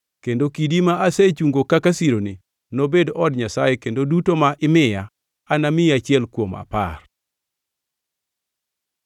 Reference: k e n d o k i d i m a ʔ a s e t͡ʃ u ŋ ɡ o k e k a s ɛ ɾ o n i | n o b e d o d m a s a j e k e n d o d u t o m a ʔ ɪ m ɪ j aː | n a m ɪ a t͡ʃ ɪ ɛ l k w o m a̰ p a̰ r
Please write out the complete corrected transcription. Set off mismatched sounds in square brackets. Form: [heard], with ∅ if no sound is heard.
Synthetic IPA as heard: k e n d o k i d i m a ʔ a s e t͡ʃ u ŋ ɡ o k [a] k a s [i] ɾ o n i | n o b e d [ɔ] d [ɲ] a s a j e k e n d o d u t o m a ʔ ɪ m ɪ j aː | n a m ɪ a t͡ʃ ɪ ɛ l k w o m a̰ p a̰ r